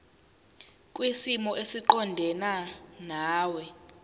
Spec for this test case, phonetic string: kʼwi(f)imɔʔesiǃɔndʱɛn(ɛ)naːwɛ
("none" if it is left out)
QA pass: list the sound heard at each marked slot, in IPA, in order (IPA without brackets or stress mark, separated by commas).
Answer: s, a